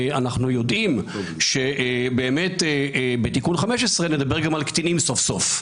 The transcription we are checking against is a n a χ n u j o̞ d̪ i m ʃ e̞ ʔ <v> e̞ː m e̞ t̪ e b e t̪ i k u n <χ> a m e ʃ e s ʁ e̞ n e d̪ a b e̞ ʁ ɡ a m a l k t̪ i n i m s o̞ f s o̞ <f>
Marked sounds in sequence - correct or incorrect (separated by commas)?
incorrect, correct, correct